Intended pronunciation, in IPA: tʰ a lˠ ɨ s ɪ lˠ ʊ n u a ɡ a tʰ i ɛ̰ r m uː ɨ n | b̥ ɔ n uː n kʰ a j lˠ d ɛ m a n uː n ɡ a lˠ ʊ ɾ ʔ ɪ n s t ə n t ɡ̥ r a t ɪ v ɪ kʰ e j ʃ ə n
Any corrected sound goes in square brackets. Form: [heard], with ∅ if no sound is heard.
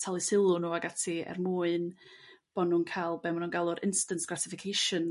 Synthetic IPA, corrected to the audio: tʰ a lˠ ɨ s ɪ lˠ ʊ n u a ɡ a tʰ i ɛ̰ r m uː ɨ n | b̥ ɔ n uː n kʰ a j lˠ [b] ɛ m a n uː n ɡ a lˠ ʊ ɾ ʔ ɪ n s t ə n t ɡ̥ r a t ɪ [f] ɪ kʰ e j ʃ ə n